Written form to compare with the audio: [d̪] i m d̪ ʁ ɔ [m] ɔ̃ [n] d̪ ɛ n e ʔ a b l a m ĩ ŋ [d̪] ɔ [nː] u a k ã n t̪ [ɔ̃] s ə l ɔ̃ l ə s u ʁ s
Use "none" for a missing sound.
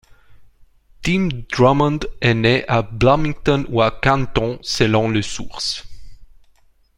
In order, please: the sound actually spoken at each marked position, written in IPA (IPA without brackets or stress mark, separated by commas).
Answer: t̪, m, n, t̪, n, ɔ̃